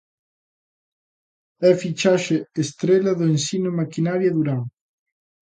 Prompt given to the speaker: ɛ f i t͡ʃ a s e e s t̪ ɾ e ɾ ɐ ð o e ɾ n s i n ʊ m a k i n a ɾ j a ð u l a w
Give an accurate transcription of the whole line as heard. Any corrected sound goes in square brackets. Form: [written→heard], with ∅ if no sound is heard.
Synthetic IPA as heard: ɛ f i t͡ʃ a [s→ʃ] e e s t̪ ɾ e [ɾ→l] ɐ ð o e [ɾ→∅] n s i n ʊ m a k i n a ɾ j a ð u [l→ɾ] a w